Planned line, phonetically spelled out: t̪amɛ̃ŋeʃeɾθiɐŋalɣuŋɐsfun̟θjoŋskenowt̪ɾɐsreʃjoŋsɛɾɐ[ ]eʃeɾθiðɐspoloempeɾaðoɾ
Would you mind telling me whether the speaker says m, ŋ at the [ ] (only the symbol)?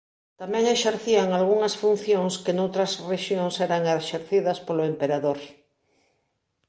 ŋ